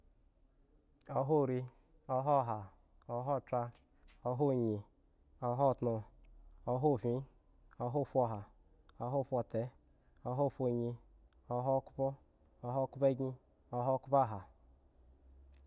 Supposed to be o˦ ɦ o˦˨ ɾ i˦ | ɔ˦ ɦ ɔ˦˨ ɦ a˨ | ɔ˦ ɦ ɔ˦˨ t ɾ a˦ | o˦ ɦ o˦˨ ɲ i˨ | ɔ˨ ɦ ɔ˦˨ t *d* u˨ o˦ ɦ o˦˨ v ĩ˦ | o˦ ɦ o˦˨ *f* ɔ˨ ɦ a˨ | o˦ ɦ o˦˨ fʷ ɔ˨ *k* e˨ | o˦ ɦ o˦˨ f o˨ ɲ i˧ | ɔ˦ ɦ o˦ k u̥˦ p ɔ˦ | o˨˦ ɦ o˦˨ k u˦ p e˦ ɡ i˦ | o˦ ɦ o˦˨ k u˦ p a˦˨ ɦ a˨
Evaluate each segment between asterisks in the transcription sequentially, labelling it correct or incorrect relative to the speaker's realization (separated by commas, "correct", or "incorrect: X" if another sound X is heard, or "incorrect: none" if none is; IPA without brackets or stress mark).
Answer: incorrect: n, correct, incorrect: t